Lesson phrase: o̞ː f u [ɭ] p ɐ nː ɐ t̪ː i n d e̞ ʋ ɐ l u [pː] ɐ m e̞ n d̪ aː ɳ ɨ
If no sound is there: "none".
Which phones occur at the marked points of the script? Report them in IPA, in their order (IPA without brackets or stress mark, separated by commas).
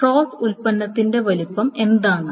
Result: l, pː